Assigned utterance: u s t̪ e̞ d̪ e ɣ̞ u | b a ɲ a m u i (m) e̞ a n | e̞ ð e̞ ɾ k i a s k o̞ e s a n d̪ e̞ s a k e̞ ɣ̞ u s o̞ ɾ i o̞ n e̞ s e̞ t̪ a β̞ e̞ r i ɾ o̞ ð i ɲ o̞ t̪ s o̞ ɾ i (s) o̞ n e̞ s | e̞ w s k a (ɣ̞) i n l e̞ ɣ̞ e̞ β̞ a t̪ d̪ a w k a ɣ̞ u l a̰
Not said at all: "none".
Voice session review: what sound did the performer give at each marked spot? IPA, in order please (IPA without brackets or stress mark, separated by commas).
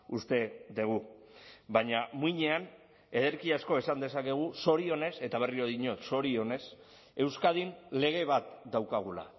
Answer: ɲ, none, ð̞